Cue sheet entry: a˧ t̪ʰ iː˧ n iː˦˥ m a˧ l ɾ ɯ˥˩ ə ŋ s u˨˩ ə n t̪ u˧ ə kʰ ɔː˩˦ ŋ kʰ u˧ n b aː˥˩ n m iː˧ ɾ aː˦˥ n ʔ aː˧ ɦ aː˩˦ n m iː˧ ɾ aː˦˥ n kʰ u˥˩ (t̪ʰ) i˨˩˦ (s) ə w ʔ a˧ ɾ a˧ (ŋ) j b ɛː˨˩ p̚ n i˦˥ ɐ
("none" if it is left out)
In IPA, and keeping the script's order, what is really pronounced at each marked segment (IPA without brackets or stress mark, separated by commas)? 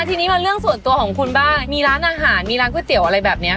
t̪, none, none